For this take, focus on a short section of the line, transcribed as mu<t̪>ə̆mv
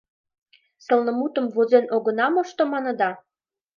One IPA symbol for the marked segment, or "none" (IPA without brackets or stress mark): t̪